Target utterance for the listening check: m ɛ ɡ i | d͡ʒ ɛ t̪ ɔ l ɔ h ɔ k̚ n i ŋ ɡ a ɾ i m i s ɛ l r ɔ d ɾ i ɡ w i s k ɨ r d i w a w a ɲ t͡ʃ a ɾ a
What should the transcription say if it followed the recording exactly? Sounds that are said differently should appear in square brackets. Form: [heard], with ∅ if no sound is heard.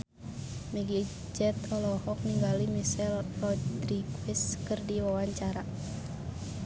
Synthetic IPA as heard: m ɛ ɡ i | d͡ʒ ɛ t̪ ɔ l ɔ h ɔ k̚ n i ŋ ɡ a [l] i m i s ɛ l r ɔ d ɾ i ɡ w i s k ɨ r d i w a w a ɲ t͡ʃ a ɾ a